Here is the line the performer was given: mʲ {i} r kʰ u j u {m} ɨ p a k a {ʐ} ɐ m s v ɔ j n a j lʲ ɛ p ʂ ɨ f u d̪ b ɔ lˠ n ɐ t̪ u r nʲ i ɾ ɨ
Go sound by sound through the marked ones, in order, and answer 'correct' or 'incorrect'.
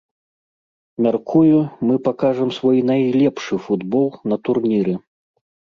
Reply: incorrect, correct, correct

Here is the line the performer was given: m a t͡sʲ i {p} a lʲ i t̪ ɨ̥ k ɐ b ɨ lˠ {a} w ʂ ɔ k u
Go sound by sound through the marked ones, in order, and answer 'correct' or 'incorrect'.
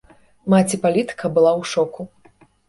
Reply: correct, correct

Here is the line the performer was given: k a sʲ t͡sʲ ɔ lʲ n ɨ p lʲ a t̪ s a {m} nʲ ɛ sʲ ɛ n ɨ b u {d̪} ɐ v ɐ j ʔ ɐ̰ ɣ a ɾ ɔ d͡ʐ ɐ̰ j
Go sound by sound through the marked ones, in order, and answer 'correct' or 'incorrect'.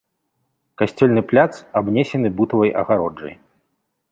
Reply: incorrect, incorrect

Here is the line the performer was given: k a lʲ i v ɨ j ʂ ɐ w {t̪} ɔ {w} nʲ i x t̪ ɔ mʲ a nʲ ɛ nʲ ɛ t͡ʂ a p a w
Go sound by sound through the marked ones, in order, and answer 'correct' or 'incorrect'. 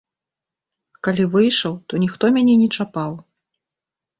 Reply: correct, incorrect

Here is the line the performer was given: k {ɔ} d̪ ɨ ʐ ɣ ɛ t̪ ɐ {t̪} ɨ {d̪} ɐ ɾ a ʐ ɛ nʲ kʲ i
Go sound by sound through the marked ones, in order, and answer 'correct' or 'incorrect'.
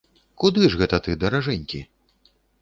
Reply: incorrect, correct, correct

